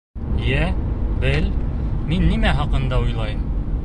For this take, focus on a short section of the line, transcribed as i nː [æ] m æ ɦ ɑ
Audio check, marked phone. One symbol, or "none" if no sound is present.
i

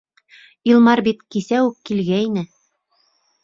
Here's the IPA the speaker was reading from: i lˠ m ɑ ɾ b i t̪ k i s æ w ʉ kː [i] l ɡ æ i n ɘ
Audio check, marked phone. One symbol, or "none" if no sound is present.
i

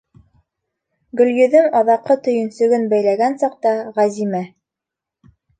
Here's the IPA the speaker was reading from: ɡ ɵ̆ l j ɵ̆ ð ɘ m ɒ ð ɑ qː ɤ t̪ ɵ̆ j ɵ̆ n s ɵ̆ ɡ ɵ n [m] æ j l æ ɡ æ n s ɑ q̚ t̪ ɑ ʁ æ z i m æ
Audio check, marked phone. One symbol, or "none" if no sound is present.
b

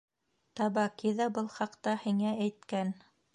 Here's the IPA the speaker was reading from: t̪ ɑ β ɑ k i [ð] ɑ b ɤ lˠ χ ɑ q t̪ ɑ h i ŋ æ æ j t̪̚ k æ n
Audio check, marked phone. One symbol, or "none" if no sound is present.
ð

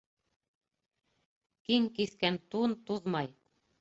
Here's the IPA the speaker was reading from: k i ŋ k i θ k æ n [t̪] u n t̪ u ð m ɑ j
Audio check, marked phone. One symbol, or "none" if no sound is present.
t̪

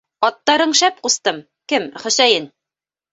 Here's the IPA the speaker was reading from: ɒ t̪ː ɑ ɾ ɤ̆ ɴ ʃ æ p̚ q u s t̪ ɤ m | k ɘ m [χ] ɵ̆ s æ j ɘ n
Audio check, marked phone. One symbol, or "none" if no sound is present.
χ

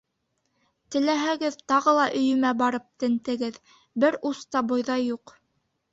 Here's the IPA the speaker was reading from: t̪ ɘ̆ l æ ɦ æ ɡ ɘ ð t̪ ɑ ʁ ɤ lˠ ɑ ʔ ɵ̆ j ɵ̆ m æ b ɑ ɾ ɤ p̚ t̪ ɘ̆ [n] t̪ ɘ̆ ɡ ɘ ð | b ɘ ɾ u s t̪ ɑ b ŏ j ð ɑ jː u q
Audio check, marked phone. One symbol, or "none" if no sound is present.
n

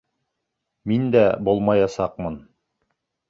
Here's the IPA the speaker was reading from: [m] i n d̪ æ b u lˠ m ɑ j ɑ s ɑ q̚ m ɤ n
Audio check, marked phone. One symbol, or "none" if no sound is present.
m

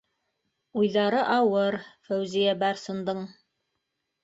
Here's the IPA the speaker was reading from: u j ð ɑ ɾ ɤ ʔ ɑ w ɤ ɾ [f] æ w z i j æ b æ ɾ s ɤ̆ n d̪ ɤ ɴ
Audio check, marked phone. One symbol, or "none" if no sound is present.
f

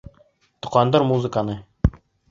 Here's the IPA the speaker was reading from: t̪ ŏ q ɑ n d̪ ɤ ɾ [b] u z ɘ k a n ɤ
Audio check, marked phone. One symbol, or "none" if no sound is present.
m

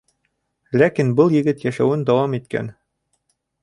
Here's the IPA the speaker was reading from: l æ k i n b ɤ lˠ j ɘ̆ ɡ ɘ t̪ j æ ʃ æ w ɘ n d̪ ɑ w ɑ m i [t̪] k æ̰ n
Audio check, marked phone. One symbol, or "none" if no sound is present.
t̪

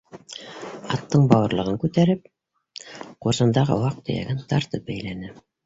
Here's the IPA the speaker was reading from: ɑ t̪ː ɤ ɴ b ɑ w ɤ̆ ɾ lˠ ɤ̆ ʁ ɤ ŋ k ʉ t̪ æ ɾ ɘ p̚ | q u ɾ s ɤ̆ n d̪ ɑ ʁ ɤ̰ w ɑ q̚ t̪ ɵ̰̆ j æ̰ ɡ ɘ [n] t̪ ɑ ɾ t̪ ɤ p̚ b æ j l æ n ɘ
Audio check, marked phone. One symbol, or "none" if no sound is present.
n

